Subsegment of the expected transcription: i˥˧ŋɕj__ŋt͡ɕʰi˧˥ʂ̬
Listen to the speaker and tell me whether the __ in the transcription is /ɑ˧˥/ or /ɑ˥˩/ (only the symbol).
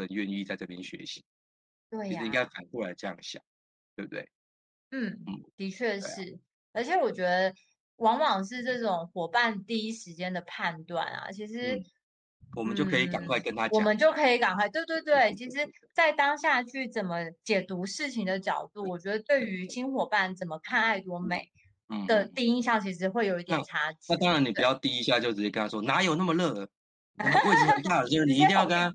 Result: ɑ˥˩